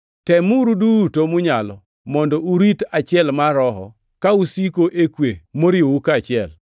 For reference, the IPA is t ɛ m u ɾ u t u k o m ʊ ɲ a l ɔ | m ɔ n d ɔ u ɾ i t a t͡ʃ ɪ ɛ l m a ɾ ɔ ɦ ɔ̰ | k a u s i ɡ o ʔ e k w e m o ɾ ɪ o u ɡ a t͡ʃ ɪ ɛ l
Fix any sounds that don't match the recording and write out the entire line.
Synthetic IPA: t ɛ m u ɾ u d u t o m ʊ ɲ a l ɔ | m ɔ n d ɔ u ɾ i t a t͡ʃ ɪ ɛ l m a ɾ ɔ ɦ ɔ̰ | k a u s i k o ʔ e k w e m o ɾ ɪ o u k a t͡ʃ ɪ ɛ l